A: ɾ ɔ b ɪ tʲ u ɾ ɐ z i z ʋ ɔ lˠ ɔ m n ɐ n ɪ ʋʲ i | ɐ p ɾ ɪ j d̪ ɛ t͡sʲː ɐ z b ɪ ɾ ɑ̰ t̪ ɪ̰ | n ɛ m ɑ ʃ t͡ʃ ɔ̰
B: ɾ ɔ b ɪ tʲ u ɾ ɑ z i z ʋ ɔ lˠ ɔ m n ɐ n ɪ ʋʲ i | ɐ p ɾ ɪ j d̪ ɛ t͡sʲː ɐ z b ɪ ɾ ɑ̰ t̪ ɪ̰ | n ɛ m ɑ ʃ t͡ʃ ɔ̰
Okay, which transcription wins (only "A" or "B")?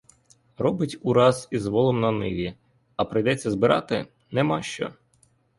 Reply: B